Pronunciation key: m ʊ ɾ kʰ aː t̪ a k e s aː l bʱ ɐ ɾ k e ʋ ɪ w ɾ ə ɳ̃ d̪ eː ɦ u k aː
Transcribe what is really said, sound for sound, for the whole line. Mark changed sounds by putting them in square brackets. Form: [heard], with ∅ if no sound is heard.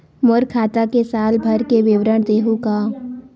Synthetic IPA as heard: m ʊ ɾ kʰ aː t̪ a k e s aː l bʱ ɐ ɾ k e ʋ ɪ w ɾ ə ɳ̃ d̪ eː ɦ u k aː